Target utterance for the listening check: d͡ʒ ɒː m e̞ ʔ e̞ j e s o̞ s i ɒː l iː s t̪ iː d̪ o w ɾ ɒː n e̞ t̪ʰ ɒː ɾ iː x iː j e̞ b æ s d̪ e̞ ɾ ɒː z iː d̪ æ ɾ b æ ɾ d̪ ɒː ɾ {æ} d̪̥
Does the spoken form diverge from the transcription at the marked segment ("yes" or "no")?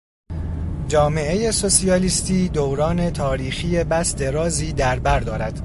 no